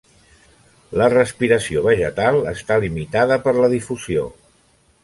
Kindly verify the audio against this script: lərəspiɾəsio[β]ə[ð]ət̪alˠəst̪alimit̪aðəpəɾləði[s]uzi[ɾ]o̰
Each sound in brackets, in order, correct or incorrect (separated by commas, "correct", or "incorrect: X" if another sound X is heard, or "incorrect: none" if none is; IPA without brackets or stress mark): correct, incorrect: ʒ, incorrect: f, incorrect: none